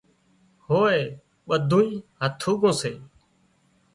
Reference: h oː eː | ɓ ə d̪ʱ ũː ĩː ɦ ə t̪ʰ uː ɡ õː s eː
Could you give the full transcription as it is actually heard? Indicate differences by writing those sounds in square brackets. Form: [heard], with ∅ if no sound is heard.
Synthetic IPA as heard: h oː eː | ɓ ə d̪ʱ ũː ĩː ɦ ə t̪ʰ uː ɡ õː s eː